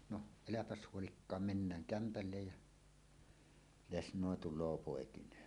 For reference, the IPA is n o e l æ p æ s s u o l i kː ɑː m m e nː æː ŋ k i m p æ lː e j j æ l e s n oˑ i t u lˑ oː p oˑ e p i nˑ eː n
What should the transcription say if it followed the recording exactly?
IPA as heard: n o e l æ p æ s h u o l i kː ɑː m m e nː æː ŋ k æ m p æ lː e j j æ l e s n oˑ e t u lˑ oː p oˑ e k i nˑ eː n